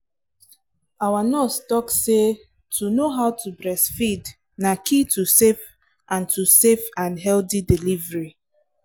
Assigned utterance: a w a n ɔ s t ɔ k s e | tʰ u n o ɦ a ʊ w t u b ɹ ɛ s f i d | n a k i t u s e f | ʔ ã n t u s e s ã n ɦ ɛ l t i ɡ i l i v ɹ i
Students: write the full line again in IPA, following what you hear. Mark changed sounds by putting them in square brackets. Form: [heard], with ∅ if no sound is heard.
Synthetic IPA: a w a n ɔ s t ɔ k s e | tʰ u n o ɦ a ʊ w t u b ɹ ɛ s f i d | n a k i t u s e f | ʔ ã n t u s e [f] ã n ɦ ɛ l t i [d] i l i v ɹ i